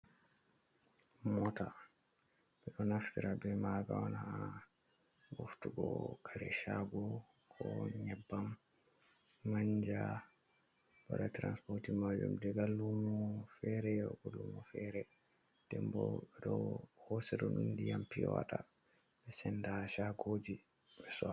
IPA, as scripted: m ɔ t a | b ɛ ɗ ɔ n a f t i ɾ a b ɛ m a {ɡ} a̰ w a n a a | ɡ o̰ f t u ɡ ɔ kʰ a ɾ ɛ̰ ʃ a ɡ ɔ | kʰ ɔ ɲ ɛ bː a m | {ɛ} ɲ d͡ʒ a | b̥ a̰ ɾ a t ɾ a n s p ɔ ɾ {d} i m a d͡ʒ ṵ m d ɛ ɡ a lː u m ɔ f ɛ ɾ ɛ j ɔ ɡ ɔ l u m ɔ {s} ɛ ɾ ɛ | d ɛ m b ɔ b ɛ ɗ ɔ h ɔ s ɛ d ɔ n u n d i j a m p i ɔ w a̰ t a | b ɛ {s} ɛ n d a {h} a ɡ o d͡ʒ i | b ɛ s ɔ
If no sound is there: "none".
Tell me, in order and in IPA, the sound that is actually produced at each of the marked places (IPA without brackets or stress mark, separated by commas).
ɡ, a, t, f, s, ʃ